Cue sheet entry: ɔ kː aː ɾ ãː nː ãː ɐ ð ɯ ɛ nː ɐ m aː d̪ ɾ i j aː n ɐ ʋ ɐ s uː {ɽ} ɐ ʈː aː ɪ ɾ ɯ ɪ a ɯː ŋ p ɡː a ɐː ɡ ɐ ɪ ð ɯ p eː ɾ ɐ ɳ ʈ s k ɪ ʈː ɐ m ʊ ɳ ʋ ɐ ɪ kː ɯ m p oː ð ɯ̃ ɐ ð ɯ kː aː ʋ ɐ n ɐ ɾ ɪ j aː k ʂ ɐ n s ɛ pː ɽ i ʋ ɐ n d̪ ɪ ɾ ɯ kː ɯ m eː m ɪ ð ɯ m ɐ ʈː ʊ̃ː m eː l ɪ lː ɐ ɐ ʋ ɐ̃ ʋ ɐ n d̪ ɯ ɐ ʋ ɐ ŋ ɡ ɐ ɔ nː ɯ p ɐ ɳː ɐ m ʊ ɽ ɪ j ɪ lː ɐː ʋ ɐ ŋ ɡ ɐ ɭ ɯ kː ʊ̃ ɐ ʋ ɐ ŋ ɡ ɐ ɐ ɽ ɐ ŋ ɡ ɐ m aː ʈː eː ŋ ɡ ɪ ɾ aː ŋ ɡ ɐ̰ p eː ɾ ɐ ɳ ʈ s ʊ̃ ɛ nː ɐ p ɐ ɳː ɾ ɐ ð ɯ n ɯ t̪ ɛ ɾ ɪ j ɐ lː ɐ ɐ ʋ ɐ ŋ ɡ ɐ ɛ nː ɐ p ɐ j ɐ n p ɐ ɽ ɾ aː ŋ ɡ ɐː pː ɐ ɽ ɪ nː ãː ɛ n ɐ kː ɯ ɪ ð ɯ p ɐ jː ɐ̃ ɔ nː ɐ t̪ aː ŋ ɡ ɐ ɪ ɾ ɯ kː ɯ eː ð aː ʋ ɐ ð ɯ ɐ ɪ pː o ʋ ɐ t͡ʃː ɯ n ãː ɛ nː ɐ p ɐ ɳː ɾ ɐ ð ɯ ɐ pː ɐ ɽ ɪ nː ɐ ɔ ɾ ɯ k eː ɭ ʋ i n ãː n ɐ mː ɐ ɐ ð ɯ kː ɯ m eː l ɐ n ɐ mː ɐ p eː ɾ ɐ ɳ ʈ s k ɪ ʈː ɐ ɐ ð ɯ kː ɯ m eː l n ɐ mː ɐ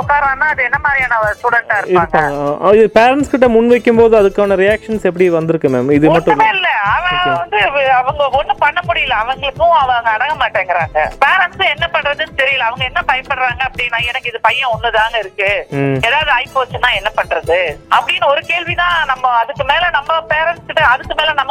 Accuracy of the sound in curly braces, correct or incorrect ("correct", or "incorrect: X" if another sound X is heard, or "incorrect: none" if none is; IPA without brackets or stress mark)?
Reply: correct